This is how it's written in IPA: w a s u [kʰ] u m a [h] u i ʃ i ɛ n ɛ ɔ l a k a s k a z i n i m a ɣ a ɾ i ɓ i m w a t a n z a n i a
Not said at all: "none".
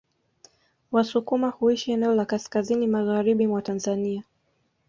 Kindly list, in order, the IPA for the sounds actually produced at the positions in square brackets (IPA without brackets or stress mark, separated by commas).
k, h